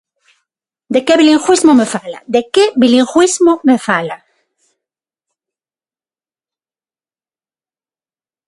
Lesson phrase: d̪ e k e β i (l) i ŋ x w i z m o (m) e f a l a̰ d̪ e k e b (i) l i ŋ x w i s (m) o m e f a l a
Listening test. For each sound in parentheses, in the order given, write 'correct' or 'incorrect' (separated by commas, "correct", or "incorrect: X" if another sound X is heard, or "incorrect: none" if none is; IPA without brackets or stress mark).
correct, correct, correct, correct